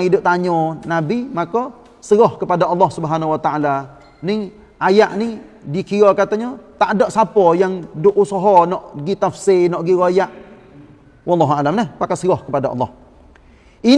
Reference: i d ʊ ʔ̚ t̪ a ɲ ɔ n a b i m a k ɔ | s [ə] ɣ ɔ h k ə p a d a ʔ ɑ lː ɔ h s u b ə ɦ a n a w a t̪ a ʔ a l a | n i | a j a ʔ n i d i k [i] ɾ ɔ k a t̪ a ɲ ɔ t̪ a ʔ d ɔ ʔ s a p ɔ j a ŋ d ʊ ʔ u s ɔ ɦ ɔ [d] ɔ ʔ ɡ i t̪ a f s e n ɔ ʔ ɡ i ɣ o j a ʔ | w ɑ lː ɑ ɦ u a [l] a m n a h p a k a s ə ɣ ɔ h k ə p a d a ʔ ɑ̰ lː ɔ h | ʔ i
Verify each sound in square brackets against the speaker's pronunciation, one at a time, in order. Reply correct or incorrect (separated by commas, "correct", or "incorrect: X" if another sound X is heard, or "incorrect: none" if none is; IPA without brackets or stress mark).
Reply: correct, correct, incorrect: n, correct